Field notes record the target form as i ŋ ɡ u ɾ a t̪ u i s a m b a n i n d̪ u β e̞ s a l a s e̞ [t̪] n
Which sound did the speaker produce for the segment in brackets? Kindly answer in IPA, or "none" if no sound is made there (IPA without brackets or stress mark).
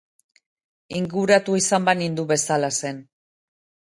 none